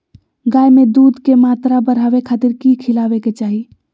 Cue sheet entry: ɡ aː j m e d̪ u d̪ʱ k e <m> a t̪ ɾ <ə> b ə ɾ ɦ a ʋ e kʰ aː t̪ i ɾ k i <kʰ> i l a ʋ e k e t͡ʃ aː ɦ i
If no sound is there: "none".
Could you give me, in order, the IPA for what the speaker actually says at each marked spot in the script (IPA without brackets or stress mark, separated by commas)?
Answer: m, a, kʰ